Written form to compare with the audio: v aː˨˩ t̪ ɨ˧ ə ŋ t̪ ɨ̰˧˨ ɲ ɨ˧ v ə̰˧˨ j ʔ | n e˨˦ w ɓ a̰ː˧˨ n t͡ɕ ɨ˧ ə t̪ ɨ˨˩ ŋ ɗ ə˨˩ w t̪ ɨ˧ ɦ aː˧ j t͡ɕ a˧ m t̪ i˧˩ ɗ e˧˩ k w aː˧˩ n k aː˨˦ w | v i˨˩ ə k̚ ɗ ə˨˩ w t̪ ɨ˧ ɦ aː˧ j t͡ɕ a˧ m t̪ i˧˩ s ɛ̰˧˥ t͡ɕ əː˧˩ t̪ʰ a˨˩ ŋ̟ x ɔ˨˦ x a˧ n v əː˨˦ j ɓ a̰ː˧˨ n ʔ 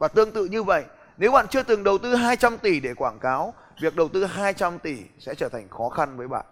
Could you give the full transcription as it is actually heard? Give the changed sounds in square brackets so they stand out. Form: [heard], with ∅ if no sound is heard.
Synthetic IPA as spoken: v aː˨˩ t̪ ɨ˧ ə ŋ t̪ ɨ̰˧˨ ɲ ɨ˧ v ə̰˧˨ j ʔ | n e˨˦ w ɓ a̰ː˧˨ n t͡ɕ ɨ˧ ə t̪ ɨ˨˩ ŋ ɗ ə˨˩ w t̪ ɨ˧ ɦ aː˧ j t͡ɕ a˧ m t̪ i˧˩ ɗ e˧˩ k w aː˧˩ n k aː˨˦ w | v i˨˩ ə k̚ ɗ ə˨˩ w t̪ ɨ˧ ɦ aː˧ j t͡ɕ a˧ m t̪ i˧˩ s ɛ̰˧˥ t͡ɕ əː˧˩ t̪ʰ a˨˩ ŋ̟ x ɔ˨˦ x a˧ n v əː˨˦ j ɓ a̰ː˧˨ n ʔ